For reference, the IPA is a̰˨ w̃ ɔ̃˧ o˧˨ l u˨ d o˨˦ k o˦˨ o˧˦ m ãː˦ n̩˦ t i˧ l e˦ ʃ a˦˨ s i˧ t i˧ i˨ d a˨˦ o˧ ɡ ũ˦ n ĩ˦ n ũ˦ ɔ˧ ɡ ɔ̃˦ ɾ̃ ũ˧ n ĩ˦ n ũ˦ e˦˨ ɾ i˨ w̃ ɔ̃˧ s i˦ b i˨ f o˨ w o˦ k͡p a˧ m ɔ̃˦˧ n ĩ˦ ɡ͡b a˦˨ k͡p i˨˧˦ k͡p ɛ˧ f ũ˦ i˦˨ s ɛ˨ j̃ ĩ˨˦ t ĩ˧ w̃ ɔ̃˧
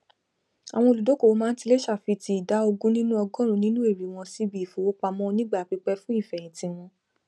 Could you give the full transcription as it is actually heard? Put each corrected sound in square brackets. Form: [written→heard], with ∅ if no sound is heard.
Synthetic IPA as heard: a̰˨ w̃ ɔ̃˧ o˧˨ l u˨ d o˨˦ k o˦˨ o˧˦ m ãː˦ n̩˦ t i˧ l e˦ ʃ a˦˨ [s→f] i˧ t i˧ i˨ d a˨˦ o˧ ɡ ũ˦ n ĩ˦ n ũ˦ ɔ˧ ɡ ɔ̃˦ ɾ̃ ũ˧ n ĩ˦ n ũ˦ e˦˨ ɾ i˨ w̃ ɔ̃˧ s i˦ b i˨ f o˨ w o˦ k͡p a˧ m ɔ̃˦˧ n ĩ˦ ɡ͡b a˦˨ k͡p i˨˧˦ k͡p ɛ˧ f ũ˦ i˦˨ [s→f] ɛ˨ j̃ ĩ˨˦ t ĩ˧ w̃ ɔ̃˧